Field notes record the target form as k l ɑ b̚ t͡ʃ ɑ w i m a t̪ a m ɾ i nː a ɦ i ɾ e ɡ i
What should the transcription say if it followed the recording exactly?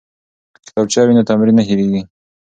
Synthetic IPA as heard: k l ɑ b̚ t͡ʃ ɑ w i n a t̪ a m ɾ i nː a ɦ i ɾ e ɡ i

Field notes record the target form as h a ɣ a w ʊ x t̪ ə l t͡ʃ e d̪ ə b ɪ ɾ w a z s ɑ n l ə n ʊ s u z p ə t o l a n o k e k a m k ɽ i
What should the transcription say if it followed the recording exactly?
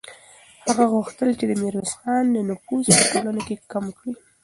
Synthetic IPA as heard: h a ɣ a ɣ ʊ x t̪ ə l t͡ʃ e d̪ ə m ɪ ɾ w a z x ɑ n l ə n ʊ f u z p ə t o l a n o k e k a m k ɽ i

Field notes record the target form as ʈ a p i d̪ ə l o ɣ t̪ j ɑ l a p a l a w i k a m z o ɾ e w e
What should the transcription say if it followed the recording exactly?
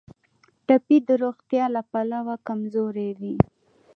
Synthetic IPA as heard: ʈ a p i d̪ ə ɾ o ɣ t̪ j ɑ l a p a l a w a k a m z o ɾ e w i

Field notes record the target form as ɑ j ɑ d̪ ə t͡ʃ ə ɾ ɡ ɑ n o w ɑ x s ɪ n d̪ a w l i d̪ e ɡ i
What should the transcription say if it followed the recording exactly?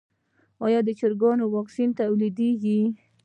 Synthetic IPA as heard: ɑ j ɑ d̪ ə t͡ʃ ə ɾ ɡ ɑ n o w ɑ k s i n t̪ a w l i d̪ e ɡ i

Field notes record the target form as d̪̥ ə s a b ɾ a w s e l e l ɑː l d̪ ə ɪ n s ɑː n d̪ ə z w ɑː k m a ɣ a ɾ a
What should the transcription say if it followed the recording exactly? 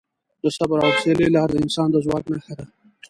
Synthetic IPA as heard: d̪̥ ə s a b ɾ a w s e l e l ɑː ɾ d̪ ə ɪ n s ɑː n d̪ ə z w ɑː k n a x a ɾ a

